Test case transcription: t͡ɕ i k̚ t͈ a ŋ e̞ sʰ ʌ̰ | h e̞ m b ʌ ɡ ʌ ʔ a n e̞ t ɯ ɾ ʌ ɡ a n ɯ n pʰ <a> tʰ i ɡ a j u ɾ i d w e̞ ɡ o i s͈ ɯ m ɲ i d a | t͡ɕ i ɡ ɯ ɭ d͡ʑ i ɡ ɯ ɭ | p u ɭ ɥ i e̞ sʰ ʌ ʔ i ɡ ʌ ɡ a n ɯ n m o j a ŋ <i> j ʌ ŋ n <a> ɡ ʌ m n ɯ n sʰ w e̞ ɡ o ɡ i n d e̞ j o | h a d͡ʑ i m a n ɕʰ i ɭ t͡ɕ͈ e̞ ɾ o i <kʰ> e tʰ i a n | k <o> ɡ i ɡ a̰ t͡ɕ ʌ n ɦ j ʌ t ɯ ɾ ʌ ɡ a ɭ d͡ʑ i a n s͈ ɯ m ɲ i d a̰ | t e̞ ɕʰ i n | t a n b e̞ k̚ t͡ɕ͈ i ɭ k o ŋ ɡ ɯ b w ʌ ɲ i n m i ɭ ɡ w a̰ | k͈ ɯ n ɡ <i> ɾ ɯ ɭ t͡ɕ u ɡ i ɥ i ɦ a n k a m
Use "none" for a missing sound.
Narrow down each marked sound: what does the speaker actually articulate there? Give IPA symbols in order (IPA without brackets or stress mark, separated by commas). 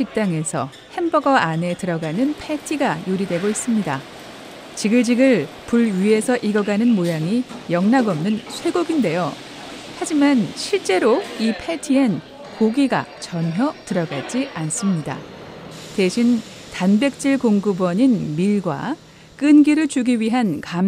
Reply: e, i, a, pʰ, o, i